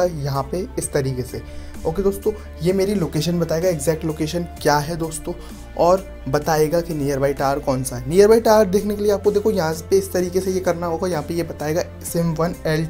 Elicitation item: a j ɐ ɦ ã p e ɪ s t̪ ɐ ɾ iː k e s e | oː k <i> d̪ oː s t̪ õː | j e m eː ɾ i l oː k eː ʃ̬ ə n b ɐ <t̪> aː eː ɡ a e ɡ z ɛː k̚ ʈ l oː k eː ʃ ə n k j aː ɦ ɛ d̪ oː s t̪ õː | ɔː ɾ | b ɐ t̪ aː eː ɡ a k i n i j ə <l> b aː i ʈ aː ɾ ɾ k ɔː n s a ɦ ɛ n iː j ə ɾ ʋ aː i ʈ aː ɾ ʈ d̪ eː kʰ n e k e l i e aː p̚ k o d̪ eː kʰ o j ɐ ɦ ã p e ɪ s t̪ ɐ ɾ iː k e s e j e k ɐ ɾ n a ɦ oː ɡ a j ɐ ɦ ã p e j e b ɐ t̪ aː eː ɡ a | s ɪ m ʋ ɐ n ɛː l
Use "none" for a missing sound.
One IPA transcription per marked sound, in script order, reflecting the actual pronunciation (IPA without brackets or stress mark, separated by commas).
e, t̪, ɾ